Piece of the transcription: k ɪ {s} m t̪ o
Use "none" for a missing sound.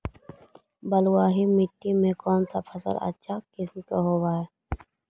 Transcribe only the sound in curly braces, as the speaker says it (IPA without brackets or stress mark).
s